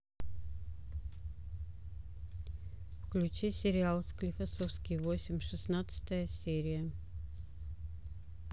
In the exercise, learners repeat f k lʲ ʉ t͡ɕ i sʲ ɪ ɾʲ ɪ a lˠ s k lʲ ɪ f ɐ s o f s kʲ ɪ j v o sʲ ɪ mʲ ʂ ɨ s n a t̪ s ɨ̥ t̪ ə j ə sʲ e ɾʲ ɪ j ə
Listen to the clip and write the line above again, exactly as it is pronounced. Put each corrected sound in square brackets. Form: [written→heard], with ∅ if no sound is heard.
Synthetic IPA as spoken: f k lʲ ʉ t͡ɕ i sʲ ɪ ɾʲ ɪ a lˠ s k lʲ ɪ f ɐ s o f s kʲ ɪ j v o sʲ ɪ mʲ ʂ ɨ s n a t̪ s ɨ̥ t̪ ə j ə sʲ e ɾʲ ɪ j ə